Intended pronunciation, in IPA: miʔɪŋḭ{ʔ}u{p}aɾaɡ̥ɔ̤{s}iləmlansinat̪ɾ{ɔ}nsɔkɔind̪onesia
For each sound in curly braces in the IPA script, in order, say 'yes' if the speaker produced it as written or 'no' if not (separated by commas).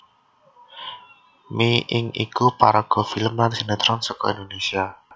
no, yes, no, yes